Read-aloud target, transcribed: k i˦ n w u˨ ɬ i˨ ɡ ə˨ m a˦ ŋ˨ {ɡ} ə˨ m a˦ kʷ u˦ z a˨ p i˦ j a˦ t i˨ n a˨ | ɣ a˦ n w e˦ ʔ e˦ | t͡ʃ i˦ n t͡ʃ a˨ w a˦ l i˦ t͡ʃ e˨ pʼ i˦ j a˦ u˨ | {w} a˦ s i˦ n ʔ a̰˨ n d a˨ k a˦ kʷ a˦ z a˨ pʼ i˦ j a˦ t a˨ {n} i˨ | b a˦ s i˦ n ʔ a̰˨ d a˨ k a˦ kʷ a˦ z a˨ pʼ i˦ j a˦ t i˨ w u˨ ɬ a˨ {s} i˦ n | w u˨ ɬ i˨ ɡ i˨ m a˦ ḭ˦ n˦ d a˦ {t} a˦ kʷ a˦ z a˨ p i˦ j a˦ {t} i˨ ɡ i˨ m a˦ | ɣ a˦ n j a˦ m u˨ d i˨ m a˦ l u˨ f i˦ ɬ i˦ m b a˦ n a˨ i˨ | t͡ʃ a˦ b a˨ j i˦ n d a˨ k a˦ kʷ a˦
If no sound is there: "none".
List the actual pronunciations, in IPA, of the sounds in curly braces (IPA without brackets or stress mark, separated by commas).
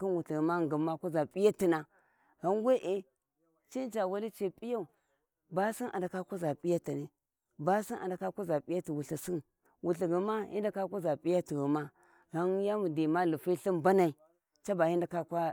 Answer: ɡ, b, n, s, k, t